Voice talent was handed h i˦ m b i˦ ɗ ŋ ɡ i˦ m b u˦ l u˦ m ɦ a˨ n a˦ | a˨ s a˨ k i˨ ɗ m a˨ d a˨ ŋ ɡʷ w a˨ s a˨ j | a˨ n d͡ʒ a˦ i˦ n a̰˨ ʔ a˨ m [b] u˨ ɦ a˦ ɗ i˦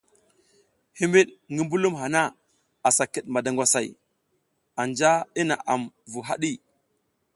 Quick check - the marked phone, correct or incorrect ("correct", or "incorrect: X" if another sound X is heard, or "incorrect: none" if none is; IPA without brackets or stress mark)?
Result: incorrect: v